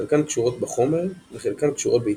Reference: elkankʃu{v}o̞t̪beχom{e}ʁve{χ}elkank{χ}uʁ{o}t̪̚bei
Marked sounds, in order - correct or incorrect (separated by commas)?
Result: incorrect, correct, correct, incorrect, correct